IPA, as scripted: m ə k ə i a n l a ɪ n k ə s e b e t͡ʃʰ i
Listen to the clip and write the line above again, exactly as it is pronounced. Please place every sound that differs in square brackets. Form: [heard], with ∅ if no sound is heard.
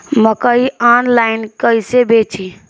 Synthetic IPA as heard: m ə k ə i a n l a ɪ n k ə s e b e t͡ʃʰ i